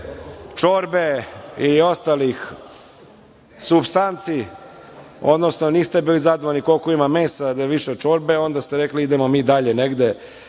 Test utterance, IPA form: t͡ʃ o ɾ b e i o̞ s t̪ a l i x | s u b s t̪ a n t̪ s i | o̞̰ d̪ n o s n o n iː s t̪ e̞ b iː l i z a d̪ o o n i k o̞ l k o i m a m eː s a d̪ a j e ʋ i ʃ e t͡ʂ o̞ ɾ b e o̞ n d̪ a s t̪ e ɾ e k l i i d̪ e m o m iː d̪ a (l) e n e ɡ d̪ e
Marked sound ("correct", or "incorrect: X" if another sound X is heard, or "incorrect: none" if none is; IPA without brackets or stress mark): incorrect: ʎ